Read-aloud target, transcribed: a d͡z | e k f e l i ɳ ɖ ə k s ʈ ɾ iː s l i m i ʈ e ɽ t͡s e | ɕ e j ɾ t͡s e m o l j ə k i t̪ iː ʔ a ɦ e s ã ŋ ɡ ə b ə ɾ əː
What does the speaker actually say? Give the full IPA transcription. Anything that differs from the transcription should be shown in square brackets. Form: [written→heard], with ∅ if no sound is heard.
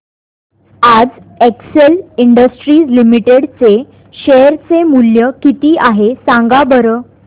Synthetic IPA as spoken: a d͡z | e k [f→s] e l i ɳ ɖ ə [k→∅] s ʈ ɾ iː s l i m i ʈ e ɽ t͡s e | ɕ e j ɾ t͡s e m [o→u] l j ə k i t̪ iː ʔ a ɦ e s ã ŋ ɡ [ə→a] b ə ɾ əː